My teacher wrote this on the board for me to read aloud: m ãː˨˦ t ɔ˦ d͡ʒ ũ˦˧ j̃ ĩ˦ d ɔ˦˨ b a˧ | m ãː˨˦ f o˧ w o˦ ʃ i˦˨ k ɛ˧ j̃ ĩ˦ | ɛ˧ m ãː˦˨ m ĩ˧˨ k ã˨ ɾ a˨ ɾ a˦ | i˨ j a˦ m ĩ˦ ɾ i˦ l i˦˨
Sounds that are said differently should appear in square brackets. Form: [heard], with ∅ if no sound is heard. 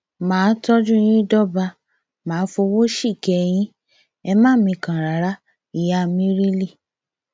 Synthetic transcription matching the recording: m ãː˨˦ t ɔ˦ d͡ʒ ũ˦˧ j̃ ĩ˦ d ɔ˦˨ b a˧ | m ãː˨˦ f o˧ w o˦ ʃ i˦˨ k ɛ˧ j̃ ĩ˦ | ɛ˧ m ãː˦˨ m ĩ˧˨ k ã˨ ɾ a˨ ɾ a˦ | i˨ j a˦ m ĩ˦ ɾ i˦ l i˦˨